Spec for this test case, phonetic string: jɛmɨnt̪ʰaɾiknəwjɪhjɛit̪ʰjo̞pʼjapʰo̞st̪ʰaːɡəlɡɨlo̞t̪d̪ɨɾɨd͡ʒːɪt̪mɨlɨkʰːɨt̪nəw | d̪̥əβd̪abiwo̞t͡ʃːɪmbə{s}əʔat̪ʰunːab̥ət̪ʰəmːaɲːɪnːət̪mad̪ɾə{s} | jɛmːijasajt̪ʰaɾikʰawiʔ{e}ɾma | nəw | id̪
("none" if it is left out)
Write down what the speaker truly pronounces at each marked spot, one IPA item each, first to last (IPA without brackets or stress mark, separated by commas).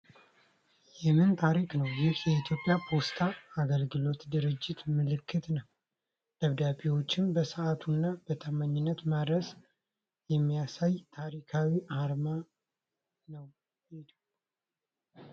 s, s, a